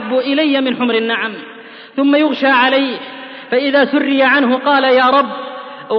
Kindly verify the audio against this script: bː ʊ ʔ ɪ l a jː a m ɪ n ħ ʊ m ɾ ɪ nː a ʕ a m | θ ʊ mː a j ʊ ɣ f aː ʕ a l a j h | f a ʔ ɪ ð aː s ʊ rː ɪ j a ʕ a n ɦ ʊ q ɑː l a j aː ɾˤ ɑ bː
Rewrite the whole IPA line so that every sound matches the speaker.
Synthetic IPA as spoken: bː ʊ ʔ ɪ l a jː a m ɪ n ħ ʊ m ɾ ɪ nː a ʕ a m | θ ʊ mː a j ʊ ɣ ʃ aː ʕ a l a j h | f a ʔ ɪ ð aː s ʊ rː ɪ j a ʕ a n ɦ ʊ q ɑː l a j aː ɾˤ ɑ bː